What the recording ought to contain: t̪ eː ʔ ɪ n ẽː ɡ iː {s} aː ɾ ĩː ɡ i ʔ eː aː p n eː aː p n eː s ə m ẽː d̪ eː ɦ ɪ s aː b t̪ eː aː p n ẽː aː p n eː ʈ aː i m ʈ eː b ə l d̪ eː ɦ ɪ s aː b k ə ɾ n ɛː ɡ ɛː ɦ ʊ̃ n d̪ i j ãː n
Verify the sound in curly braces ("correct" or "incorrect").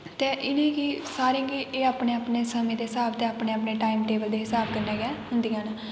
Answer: correct